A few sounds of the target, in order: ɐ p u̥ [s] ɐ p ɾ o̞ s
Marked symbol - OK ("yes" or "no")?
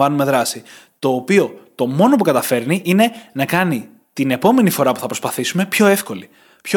no